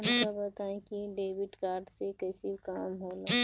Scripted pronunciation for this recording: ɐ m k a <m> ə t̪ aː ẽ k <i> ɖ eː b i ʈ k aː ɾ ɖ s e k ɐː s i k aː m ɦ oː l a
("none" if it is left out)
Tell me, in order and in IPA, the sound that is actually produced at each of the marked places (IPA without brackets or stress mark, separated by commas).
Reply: b, i